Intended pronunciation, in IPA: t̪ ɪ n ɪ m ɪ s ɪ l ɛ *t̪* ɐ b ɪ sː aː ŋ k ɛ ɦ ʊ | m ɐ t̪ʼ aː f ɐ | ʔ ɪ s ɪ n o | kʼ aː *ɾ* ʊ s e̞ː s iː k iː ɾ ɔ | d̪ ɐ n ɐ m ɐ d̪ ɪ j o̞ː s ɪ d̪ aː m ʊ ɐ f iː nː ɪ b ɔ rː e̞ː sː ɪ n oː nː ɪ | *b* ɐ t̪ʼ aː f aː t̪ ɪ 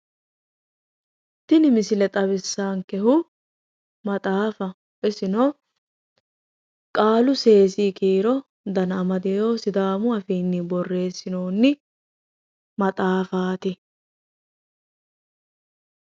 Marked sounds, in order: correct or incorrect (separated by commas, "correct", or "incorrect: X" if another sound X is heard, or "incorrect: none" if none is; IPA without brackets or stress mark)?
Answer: incorrect: t̪ʼ, incorrect: l, incorrect: m